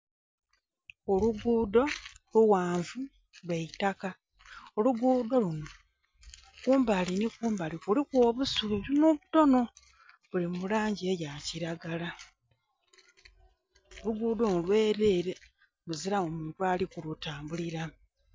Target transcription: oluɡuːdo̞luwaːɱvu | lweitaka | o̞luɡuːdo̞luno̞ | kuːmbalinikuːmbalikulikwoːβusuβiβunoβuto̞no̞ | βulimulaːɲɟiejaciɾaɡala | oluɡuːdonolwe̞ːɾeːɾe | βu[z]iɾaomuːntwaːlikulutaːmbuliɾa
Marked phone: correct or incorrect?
correct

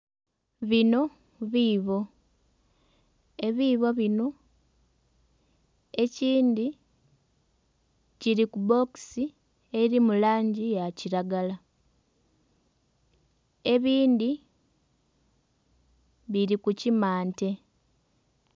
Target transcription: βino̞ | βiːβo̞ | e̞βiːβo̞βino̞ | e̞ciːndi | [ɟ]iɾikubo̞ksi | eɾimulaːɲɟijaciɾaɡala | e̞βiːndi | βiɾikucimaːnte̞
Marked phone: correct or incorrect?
incorrect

